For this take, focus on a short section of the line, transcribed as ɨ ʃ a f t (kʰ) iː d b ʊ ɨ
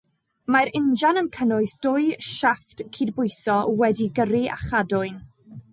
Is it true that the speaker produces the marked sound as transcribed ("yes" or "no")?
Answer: yes